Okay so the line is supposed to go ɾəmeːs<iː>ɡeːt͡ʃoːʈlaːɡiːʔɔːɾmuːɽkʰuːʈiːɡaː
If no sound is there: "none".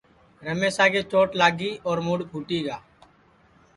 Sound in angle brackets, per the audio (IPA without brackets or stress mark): aː